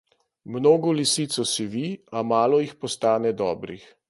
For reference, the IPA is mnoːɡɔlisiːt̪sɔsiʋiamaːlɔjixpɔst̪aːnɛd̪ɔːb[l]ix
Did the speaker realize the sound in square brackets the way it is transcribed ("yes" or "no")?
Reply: no